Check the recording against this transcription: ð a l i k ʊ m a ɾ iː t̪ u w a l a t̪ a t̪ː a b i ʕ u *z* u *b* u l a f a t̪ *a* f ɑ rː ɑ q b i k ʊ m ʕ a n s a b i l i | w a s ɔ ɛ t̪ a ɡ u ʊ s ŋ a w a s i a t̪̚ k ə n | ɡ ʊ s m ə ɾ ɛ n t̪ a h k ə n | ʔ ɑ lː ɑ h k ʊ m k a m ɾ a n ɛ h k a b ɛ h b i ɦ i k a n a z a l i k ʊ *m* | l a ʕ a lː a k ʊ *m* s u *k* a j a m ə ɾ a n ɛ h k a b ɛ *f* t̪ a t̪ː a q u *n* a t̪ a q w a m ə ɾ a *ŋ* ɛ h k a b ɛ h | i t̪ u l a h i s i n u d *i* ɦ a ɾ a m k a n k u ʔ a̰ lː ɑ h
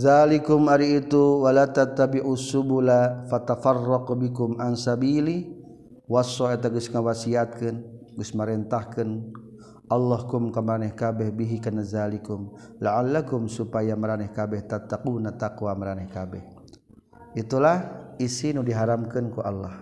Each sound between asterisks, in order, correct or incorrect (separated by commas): incorrect, correct, correct, correct, correct, incorrect, incorrect, correct, incorrect, correct